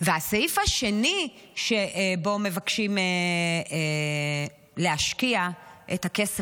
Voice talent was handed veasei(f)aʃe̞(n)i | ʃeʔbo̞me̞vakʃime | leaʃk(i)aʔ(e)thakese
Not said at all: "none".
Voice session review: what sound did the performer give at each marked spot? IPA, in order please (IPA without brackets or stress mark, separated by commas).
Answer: f, n, i, e